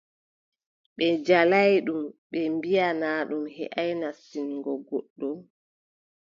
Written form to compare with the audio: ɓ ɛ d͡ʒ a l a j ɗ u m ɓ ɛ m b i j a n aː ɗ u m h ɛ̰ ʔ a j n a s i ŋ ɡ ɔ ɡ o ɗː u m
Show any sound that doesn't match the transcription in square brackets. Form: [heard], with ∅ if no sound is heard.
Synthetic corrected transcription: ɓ ɛ d͡ʒ a l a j ɗ u m ɓ ɛ m b i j a n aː ɗ u m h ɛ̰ ʔ a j n a s i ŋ ɡ ɔ ɡ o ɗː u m